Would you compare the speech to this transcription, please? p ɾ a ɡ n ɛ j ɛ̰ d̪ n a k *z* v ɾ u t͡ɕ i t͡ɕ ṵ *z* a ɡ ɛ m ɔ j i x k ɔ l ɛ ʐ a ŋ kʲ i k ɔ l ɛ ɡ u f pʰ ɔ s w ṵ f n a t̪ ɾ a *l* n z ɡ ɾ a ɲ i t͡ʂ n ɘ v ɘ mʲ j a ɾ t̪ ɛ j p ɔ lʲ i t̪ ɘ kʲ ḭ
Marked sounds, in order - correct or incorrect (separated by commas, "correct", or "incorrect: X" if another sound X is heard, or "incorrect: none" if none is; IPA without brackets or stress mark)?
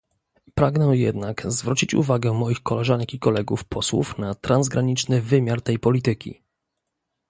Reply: correct, incorrect: v, incorrect: none